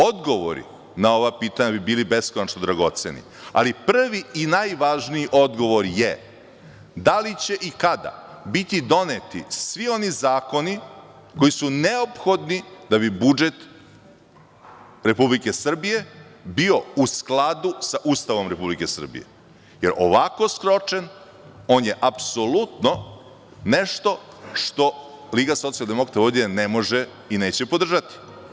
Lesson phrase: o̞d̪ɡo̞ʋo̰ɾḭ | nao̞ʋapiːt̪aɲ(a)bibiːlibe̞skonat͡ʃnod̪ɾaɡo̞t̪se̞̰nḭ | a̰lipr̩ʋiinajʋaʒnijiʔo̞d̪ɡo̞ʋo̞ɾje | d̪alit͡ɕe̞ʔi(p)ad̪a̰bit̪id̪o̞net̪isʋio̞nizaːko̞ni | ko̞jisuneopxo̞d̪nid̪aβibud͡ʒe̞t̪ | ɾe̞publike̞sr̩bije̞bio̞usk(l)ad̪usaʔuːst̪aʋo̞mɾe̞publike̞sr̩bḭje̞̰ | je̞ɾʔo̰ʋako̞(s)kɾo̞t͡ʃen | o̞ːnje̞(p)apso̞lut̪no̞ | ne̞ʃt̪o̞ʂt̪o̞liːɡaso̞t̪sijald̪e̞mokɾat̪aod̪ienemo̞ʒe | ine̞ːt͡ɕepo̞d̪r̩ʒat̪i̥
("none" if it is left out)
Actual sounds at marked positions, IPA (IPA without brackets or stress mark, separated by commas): a, k, l, s, ʔ